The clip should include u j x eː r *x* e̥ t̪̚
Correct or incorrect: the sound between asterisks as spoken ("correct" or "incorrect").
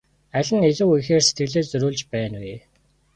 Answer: incorrect